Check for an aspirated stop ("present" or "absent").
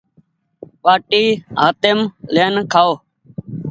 present